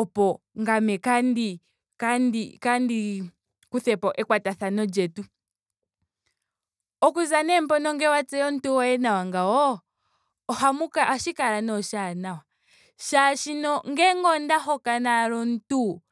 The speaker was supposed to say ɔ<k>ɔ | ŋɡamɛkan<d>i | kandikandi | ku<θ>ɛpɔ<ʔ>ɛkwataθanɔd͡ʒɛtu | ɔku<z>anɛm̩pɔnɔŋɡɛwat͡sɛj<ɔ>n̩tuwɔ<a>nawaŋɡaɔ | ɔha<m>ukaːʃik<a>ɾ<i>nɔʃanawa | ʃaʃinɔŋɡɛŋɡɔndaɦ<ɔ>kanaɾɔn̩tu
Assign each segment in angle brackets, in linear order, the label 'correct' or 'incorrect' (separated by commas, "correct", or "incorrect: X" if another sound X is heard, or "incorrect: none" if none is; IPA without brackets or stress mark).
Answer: incorrect: p, correct, correct, correct, correct, correct, incorrect: ɛ, correct, correct, incorrect: a, correct